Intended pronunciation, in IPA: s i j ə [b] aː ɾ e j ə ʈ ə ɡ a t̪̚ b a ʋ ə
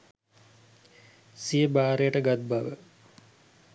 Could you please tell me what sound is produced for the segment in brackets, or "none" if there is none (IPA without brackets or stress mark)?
b